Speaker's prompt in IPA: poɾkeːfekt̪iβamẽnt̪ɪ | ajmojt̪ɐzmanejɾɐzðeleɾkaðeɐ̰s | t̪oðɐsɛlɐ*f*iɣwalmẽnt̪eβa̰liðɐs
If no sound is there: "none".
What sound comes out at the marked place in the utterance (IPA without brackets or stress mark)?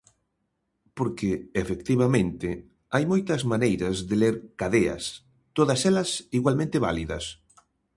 s